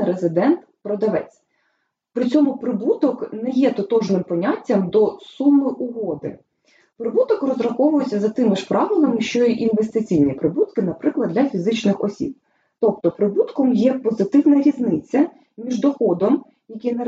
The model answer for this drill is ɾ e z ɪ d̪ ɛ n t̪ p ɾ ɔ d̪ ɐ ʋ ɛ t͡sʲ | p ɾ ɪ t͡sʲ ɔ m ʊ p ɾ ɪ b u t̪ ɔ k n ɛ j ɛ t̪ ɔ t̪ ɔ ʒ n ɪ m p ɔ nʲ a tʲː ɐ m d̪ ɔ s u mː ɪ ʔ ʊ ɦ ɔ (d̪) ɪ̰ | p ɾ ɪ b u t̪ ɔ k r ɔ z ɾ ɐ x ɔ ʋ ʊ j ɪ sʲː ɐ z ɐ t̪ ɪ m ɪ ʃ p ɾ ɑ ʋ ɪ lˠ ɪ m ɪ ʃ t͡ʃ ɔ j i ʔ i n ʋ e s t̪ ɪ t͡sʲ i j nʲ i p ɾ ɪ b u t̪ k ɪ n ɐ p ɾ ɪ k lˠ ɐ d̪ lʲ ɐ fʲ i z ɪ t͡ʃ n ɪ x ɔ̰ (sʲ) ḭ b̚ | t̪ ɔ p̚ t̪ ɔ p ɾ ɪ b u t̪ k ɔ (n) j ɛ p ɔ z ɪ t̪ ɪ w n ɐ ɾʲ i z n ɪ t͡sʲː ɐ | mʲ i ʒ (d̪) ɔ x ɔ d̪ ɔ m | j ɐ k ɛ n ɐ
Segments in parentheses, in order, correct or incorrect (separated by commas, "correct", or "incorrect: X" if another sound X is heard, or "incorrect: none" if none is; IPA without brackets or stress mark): correct, correct, incorrect: m, correct